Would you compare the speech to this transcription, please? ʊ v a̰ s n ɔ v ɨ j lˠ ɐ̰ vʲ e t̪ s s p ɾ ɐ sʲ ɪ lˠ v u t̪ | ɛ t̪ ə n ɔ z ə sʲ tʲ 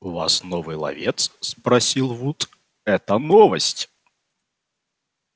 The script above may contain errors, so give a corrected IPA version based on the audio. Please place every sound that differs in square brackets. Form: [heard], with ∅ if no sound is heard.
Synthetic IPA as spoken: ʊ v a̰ s n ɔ v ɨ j lˠ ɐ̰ vʲ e t̪ s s p ɾ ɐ sʲ [i] lˠ v u t̪ | ɛ t̪ ə n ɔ [v] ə sʲ tʲ